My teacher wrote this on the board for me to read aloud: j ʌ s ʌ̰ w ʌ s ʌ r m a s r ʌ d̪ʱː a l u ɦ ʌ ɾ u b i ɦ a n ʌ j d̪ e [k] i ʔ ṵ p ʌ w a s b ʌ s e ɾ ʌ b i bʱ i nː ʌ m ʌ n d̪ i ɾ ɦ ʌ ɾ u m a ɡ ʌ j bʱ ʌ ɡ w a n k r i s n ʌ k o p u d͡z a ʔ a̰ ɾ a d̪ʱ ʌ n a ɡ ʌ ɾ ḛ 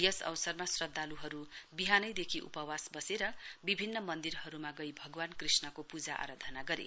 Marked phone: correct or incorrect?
incorrect